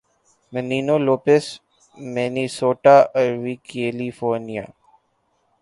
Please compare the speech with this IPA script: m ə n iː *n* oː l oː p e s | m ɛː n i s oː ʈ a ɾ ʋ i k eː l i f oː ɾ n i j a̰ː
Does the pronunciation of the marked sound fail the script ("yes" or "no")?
no